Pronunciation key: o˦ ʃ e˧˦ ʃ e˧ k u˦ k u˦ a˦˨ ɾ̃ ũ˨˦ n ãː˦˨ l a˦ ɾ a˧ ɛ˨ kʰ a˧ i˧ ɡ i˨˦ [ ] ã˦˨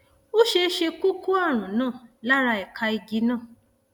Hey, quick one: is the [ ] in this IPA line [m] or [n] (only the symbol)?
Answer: n